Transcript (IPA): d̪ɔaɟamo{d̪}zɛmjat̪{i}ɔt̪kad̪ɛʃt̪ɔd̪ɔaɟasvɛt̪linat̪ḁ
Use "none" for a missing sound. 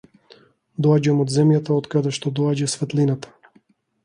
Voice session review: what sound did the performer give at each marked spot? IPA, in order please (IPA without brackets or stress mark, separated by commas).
d̪, a